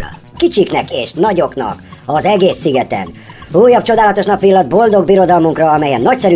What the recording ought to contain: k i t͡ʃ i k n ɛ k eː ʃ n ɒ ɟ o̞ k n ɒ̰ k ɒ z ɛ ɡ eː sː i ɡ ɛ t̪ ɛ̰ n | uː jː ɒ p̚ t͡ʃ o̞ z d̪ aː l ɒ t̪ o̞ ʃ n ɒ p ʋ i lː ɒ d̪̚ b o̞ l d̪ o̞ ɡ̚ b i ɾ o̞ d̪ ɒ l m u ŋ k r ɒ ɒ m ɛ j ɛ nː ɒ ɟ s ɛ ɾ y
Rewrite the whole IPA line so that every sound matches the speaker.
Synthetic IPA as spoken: k i t͡ʃ i k n ɛ k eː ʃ n ɒ ɟ o̞ k n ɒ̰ k ɒ z ɛ ɡ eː sː i ɡ ɛ t̪ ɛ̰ n | uː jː ɒ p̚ t͡ʃ o̞ d̪ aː l ɒ t̪ o̞ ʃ n ɒ p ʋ i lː ɒ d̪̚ b o̞ l d̪ o̞ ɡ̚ b i ɾ o̞ d̪ ɒ l m u ŋ k r ɒ ɒ m ɛ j ɛ nː ɒ c s ɛ ɾ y